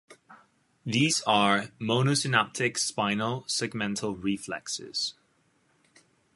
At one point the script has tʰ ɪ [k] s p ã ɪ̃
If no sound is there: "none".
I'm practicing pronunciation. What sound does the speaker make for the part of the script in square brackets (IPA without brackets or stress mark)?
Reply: k